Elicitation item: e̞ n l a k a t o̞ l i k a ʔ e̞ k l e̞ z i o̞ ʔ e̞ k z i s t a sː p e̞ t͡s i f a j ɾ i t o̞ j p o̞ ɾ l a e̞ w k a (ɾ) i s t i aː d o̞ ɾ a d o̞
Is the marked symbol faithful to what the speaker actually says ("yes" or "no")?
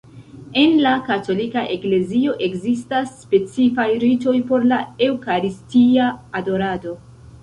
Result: yes